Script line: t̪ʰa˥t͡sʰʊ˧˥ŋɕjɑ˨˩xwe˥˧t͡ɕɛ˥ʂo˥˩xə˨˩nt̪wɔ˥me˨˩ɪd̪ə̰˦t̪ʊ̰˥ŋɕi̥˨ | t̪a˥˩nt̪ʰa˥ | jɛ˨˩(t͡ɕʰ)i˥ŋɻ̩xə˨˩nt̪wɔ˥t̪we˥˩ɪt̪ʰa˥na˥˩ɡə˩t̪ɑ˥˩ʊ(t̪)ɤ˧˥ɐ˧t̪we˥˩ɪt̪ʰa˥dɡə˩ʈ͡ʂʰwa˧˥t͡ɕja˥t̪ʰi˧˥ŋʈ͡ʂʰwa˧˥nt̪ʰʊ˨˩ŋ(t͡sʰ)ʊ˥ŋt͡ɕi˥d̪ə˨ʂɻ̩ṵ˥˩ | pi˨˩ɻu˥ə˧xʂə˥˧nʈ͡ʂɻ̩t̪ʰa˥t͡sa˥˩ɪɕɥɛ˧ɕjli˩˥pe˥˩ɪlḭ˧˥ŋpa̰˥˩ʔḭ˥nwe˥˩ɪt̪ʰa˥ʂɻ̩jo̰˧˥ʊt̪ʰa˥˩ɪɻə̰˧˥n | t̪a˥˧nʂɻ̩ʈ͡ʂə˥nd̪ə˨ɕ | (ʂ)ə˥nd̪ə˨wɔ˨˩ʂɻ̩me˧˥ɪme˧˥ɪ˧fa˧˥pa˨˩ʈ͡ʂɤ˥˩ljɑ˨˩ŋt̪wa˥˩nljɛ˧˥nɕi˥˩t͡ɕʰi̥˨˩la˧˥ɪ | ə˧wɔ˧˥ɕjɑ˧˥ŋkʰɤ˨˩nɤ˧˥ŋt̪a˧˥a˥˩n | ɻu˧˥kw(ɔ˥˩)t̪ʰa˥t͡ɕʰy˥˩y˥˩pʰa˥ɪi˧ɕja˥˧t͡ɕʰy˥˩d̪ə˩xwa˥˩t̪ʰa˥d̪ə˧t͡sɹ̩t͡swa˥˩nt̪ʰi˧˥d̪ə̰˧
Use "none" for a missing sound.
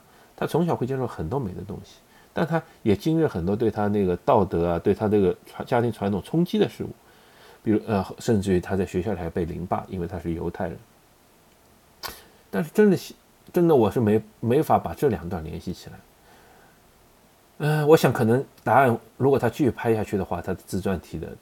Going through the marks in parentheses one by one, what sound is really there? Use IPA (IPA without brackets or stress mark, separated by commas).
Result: t͡ɕ, t̪, t͡sʰ, ʈ͡ʂ, ɔ˨˩